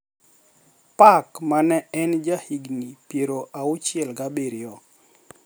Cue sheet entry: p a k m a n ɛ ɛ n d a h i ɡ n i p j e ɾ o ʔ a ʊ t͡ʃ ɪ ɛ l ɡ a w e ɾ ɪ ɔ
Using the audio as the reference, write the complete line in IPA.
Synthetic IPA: p a k m a n ɛ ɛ n d͡ʒ a h i ɡ n i p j e ɾ o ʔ a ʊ t͡ʃ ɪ ɛ l ɡ a b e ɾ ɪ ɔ